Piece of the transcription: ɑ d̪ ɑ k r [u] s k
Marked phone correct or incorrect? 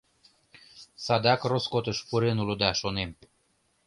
incorrect